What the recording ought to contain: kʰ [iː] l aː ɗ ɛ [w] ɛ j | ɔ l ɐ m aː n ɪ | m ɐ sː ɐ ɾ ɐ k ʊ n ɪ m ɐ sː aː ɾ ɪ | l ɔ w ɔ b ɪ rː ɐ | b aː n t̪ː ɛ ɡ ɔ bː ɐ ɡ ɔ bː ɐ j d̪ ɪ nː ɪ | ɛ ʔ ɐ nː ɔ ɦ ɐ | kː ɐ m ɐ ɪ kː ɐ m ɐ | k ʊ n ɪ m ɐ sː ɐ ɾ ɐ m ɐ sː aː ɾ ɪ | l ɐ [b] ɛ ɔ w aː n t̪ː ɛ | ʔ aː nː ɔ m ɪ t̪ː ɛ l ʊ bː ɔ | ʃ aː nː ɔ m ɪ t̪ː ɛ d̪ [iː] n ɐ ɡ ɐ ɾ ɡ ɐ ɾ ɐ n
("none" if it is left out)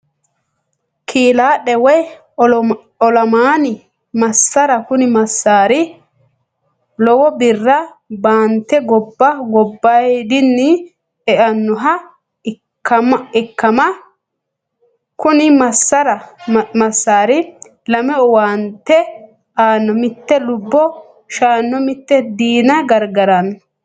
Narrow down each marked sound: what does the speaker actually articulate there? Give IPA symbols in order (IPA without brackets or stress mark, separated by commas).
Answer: iː, w, m, iː